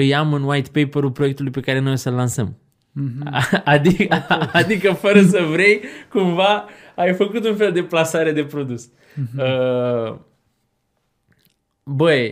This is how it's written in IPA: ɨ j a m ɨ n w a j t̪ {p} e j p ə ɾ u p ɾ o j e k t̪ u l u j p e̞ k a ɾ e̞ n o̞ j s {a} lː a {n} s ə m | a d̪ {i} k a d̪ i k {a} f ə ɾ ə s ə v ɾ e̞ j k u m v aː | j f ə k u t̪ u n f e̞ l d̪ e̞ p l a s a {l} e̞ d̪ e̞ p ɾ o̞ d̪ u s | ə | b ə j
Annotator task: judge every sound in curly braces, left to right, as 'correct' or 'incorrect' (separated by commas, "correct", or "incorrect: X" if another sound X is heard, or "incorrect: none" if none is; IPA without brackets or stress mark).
correct, incorrect: ə, correct, correct, incorrect: ə, incorrect: ɾ